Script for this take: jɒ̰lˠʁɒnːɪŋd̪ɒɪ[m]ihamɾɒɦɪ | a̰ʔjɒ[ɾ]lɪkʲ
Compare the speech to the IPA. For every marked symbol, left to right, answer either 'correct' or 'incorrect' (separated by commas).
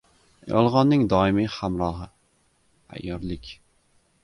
correct, correct